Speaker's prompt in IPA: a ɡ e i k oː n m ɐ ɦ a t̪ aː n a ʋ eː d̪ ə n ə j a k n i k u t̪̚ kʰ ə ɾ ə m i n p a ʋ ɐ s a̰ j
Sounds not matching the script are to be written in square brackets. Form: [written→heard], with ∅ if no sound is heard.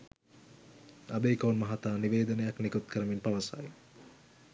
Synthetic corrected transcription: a [ɡ→b] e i k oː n m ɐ ɦ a t̪ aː n [a→i] ʋ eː d̪ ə n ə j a k n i k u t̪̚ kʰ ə ɾ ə m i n p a ʋ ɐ s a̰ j

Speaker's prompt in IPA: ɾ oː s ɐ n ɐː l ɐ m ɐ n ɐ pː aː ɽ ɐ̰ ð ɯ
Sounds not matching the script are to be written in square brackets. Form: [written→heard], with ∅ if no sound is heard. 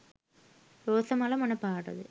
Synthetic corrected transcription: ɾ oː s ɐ [n→m] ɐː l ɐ m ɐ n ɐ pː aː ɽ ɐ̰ ð ɯ

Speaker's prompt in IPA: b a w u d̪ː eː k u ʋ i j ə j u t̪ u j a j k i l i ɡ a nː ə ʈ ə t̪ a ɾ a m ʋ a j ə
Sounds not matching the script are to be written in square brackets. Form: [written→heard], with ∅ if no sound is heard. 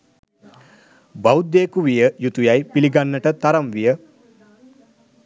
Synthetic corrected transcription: b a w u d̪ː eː k u ʋ i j ə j u t̪ u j a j [k→p] i l i ɡ a nː ə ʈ ə t̪ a ɾ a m ʋ [a→i] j ə

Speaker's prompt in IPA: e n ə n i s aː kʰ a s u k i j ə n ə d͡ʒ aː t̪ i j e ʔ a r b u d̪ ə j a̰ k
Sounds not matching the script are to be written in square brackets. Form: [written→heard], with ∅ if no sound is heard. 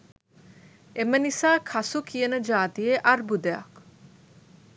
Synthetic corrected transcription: e [n→m] ə n i s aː kʰ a s u k i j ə n ə d͡ʒ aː t̪ i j e ʔ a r b u d̪ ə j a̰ k

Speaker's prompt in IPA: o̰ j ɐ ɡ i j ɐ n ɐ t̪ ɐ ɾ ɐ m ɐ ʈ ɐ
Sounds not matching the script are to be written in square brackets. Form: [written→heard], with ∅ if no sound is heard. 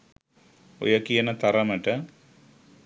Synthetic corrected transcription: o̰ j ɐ [ɡ→k] i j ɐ n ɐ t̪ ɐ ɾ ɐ m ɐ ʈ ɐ

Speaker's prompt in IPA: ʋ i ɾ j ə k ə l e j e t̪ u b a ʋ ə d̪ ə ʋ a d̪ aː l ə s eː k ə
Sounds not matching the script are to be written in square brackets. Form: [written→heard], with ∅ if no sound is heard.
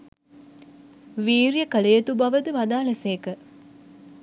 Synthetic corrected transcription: ʋ [i→iː] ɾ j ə k ə l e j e t̪ u b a ʋ ə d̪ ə ʋ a d̪ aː l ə s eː k ə

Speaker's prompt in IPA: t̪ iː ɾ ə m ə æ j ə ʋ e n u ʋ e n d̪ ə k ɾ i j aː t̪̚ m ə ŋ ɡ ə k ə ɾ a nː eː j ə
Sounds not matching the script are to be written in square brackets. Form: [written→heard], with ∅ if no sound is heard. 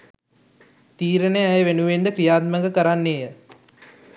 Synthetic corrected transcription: t̪ iː ɾ ə [m→n] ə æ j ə ʋ e n u ʋ e n d̪ ə k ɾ i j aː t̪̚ m ə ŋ ɡ ə k ə ɾ a nː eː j ə

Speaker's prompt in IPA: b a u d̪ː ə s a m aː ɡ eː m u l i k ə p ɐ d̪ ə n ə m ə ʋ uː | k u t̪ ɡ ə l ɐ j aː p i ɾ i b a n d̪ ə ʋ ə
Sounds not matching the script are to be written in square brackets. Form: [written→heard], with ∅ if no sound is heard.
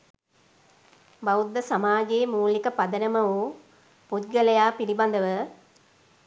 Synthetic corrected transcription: b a u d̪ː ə s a m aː ɡ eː m [u→uː] l i k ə p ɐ d̪ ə n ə m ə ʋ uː | [k→p] u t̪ ɡ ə l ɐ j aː p i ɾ i b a n d̪ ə ʋ ə

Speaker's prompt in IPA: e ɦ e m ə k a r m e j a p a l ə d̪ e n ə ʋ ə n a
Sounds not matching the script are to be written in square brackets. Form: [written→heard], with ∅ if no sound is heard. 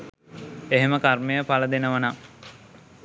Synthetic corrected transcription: e ɦ e m ə k a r m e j [a→ə] p a l ə d̪ e n ə ʋ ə n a

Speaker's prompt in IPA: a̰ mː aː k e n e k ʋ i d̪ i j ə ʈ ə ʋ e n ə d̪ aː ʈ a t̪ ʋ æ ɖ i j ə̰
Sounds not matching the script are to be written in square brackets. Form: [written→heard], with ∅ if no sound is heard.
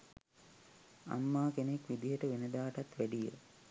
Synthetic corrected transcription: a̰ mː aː k e n e k ʋ i d̪ i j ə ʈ ə ʋ e n ə d̪ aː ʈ a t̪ ʋ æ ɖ i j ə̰

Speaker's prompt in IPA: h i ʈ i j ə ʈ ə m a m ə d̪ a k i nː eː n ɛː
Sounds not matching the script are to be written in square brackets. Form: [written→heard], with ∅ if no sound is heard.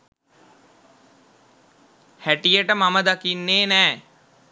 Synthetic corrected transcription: h [i→æ] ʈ i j ə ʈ ə m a m ə d̪ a k i nː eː n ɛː

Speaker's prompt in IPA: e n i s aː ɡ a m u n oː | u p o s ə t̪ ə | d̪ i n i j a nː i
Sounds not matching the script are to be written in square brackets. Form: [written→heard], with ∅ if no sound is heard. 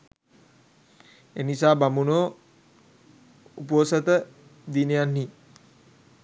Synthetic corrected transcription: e n i s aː [ɡ→b] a m u n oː | u p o s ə t̪ ə | d̪ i n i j a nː i

